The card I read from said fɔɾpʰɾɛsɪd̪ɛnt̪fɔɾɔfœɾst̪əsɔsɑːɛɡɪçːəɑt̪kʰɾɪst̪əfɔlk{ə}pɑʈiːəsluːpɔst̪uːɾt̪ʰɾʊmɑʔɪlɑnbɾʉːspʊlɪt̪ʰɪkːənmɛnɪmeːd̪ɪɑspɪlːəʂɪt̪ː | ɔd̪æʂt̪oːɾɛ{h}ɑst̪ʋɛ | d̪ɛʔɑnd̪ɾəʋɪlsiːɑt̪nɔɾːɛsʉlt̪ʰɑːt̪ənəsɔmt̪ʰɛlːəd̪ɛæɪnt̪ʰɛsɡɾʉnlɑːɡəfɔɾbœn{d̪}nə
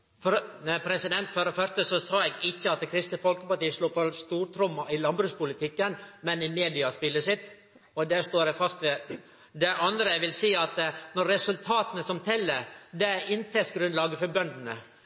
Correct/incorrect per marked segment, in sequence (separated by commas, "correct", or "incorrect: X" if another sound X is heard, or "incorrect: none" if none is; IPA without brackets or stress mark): correct, incorrect: f, correct